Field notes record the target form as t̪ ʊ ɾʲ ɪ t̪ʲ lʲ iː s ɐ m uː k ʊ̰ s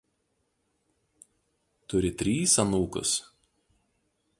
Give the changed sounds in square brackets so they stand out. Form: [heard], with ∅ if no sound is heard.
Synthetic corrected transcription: t̪ ʊ ɾʲ ɪ t̪ʲ [ɾʲ] iː s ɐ [n] uː k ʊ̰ s